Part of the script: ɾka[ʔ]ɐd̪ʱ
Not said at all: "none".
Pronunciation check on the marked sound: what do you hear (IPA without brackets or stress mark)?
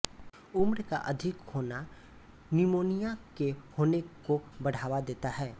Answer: ʔ